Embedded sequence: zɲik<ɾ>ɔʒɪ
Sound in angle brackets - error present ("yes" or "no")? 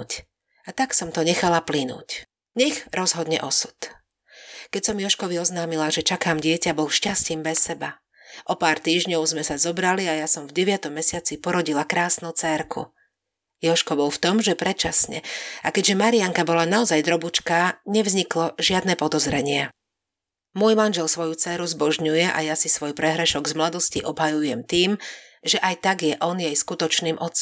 yes